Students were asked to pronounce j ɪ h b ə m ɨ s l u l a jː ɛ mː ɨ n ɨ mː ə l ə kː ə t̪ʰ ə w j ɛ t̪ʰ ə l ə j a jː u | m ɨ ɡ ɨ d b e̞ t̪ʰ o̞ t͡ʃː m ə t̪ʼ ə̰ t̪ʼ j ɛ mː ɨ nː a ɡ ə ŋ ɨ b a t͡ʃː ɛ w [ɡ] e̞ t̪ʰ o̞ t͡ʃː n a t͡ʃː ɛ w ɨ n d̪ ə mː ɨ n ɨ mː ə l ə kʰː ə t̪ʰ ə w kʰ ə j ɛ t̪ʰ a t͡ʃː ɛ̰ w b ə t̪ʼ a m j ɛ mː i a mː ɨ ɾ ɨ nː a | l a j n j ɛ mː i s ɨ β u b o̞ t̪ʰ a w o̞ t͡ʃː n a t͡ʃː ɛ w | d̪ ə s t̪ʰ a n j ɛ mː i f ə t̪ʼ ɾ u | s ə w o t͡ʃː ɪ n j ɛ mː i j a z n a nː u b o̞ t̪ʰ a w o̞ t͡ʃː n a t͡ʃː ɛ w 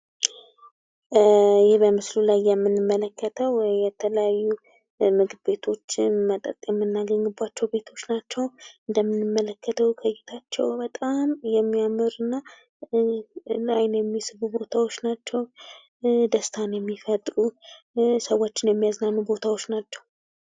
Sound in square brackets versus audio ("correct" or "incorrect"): incorrect